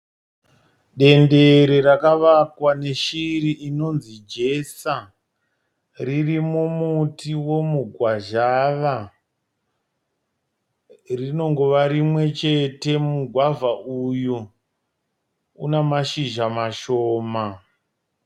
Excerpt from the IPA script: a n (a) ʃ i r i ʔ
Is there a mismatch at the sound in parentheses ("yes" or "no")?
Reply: yes